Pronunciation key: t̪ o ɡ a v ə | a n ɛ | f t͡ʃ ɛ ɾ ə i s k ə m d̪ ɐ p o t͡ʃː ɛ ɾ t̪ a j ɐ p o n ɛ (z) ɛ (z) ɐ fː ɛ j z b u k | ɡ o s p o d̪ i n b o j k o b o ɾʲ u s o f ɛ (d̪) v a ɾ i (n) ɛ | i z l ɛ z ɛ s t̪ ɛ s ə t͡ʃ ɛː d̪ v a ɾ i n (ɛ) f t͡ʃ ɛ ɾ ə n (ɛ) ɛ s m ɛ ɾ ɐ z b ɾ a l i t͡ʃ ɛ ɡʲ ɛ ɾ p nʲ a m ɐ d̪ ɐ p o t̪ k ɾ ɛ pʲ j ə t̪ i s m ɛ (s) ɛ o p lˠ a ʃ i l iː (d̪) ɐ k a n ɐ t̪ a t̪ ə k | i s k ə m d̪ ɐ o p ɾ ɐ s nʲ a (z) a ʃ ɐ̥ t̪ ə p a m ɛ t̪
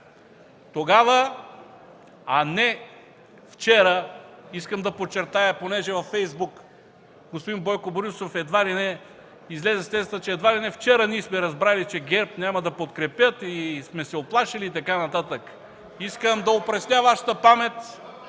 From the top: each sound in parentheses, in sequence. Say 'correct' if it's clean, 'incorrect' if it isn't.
incorrect: ʒ, incorrect: v, correct, correct, correct, incorrect: i, correct, incorrect: t̪, incorrect: v

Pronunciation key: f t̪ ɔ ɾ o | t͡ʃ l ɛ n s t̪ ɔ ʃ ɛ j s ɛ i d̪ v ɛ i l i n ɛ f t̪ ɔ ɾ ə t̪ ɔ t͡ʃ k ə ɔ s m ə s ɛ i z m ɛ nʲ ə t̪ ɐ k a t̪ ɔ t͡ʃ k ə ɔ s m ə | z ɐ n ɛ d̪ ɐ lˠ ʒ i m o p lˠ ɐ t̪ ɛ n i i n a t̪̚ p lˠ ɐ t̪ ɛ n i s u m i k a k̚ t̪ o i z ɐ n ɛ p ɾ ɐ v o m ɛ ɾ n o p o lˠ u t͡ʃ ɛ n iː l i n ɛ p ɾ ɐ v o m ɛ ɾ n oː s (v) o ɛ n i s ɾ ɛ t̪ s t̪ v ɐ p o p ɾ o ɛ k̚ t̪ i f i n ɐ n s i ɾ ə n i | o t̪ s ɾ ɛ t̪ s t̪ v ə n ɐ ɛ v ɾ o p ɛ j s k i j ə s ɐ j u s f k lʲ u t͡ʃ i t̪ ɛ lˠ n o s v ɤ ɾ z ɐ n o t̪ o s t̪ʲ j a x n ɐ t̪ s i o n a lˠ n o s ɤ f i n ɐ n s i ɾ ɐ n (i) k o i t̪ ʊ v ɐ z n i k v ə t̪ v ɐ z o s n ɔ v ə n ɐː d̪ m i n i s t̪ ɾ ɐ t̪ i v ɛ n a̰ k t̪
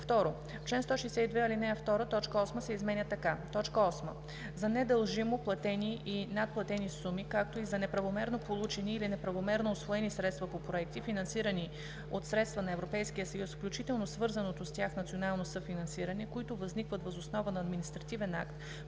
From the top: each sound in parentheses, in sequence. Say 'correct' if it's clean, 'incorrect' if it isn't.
correct, incorrect: ɛ

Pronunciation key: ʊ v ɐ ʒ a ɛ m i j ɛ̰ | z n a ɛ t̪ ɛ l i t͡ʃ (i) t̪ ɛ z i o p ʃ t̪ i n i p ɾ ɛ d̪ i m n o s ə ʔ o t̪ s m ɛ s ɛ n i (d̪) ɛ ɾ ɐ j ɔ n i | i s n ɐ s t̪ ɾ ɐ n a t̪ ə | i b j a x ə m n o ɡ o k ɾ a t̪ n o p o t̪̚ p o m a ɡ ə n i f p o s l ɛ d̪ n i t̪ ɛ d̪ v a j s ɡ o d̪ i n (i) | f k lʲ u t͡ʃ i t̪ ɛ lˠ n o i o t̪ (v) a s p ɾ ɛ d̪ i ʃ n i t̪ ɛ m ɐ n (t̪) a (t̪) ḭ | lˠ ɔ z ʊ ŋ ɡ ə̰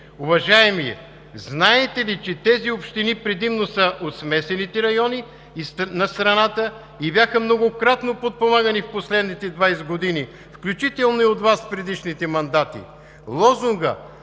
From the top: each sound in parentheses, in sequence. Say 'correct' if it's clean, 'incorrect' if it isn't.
incorrect: ɛ, incorrect: t̪, correct, correct, incorrect: d̪, correct

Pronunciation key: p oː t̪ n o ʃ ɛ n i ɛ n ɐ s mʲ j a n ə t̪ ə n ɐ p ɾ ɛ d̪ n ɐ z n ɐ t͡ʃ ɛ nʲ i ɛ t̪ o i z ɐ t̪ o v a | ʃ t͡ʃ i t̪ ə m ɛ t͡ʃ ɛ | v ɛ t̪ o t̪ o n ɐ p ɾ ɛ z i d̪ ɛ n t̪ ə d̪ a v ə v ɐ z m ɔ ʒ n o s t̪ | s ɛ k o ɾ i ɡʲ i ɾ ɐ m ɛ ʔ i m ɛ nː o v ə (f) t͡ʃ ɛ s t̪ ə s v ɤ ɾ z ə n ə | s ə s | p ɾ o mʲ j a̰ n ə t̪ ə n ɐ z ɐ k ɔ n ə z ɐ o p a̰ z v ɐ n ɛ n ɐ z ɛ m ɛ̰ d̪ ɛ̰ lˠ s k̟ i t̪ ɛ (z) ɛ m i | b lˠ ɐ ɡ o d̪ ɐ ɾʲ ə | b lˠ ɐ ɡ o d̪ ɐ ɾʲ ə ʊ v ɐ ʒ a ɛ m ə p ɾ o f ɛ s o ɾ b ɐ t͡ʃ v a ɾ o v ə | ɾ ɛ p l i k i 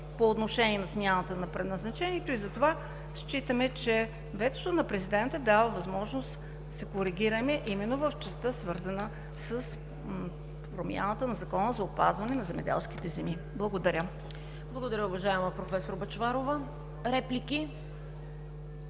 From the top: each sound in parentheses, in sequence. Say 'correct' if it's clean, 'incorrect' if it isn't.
correct, correct

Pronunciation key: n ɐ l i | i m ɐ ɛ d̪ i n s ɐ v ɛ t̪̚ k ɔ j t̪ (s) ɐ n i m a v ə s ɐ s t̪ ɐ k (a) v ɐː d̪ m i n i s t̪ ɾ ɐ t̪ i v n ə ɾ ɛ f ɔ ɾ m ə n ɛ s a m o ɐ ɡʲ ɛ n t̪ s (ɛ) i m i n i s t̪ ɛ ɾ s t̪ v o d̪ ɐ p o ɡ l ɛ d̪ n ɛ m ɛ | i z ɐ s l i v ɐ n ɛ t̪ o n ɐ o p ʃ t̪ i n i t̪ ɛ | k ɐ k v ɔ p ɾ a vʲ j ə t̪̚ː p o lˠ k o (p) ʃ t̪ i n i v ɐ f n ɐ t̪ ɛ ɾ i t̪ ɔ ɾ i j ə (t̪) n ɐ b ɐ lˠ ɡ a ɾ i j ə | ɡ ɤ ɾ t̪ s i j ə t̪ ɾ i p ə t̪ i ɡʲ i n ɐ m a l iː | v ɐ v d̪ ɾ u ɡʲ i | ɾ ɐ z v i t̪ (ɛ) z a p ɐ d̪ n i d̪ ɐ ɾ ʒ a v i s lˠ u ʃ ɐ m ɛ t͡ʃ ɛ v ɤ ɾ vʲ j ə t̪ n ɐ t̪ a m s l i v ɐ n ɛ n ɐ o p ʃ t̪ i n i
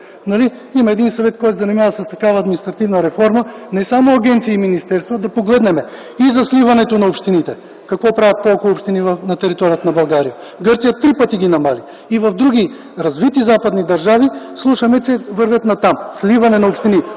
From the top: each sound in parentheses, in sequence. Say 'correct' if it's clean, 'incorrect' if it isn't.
incorrect: z, correct, incorrect: i, correct, correct, incorrect: i

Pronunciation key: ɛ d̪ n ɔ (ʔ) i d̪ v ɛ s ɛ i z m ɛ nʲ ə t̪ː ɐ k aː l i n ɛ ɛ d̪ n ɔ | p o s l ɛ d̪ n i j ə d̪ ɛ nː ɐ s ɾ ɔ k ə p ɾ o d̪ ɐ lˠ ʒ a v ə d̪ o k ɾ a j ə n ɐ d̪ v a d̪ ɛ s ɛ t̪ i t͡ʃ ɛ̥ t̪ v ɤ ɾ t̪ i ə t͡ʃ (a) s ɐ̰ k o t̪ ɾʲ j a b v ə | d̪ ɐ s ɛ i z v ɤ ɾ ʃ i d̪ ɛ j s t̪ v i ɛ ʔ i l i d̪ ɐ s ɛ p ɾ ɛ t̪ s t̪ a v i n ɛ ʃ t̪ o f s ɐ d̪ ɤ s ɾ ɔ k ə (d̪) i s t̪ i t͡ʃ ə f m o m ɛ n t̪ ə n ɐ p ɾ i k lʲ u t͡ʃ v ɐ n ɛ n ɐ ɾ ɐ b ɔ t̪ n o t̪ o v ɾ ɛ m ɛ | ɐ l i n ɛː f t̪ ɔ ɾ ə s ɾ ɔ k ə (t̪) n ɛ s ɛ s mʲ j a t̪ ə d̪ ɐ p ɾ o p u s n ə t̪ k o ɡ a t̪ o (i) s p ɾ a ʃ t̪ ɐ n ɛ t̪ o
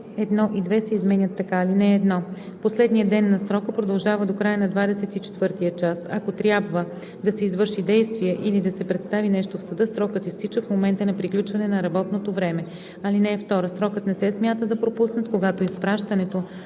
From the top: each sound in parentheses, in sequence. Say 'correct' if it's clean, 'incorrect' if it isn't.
correct, correct, incorrect: t̪, correct, correct

